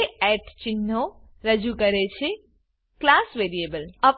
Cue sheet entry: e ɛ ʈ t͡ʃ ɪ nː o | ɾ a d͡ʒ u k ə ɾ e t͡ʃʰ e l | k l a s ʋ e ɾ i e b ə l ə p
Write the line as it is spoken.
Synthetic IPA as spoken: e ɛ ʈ t͡ʃ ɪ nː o | ɾ ə d͡ʒ u k ə ɾ e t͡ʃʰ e | k l a s ʋ e ɾ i e b ə l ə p